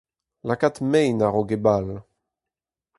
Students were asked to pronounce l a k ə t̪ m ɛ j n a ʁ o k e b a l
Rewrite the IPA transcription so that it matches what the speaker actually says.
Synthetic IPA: l a k a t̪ m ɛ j n a ʁ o ɡ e b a l